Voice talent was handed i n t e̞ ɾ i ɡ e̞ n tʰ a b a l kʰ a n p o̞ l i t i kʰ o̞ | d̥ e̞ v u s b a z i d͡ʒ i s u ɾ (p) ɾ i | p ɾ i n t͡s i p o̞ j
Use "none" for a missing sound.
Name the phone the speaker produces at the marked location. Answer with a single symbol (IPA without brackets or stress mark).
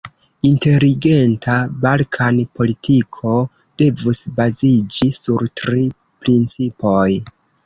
t